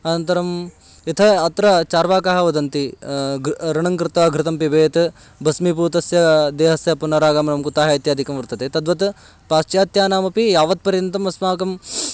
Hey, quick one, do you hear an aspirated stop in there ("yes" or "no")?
yes